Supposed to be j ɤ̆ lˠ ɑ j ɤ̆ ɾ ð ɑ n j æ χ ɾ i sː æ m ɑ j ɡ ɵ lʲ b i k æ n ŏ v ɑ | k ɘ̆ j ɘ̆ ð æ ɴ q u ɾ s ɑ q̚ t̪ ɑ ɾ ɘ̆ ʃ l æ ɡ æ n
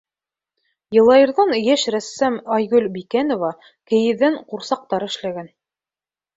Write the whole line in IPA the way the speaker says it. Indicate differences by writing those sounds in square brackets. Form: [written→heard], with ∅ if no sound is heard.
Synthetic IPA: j ɤ̆ lˠ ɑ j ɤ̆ ɾ ð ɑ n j æ [χ→ʃ] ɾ [i→æ] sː æ m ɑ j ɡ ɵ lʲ b i k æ n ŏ v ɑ | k ɘ̆ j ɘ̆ ð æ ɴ q u ɾ s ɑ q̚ t̪ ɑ ɾ ɘ̆ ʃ l æ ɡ æ n